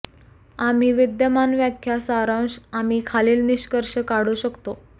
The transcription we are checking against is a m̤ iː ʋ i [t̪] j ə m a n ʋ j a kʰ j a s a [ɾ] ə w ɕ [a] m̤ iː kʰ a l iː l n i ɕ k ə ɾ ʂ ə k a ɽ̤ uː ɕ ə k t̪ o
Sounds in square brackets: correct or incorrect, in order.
incorrect: d̪, correct, correct

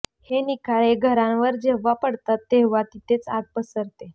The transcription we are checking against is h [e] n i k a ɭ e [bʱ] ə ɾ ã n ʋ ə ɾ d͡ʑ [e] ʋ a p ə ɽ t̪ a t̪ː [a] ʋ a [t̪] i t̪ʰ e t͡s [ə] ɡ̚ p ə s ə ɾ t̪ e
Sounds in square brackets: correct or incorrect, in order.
correct, incorrect: ɡʱ, correct, incorrect: e, correct, incorrect: a

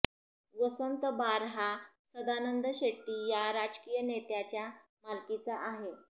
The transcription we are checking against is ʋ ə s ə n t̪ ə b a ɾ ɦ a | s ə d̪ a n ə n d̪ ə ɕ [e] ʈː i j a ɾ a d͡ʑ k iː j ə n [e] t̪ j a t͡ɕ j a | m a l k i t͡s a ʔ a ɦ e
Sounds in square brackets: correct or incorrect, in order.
correct, correct

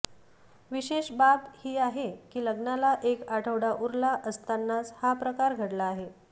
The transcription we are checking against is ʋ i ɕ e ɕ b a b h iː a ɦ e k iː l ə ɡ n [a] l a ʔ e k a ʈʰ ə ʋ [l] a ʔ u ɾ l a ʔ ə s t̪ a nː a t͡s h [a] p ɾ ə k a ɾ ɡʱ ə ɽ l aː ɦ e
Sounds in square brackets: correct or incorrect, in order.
correct, incorrect: ɽ, correct

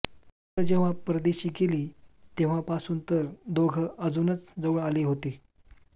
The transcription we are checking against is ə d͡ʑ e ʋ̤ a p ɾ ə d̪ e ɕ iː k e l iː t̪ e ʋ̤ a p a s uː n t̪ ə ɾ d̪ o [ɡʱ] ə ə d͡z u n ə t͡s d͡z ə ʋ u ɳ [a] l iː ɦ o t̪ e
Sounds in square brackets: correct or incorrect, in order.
correct, correct

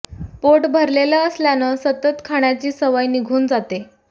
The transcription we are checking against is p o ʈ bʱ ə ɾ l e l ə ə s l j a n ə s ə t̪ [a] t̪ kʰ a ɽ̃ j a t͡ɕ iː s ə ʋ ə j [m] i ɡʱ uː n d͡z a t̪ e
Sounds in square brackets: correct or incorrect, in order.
incorrect: ə, incorrect: n

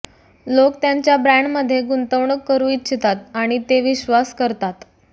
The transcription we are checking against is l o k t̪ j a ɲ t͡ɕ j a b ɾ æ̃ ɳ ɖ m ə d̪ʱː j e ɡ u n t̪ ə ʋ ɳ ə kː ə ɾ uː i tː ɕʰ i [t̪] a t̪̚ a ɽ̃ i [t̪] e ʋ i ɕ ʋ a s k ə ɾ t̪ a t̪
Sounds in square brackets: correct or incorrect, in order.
correct, correct

